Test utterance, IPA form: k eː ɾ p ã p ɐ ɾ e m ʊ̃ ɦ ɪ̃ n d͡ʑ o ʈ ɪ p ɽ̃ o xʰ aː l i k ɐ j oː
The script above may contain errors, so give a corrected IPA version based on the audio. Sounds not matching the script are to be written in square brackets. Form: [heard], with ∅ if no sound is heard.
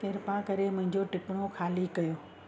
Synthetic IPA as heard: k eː ɾ p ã [k] ɐ ɾ e m ʊ̃ ɦ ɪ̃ [ɲ] d͡ʑ o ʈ ɪ p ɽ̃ o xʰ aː l i k ɐ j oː